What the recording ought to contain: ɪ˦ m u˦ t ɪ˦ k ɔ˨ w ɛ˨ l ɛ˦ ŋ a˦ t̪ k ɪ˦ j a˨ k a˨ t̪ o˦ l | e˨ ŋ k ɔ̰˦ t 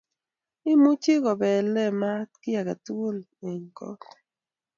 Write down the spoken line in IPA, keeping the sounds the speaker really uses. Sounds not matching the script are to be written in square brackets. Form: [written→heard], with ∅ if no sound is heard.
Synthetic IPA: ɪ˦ m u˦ [t→t͡ʃ] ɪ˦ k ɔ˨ [w→b] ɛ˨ l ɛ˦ [ŋ→m] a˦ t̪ k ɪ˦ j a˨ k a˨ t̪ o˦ l | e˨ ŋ k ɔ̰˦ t